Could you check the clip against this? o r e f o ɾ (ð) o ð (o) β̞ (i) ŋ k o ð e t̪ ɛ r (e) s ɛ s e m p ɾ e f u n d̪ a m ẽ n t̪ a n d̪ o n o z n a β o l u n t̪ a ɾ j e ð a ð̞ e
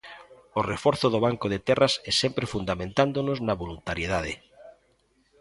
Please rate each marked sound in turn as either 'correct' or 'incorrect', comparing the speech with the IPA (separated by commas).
incorrect, correct, incorrect, incorrect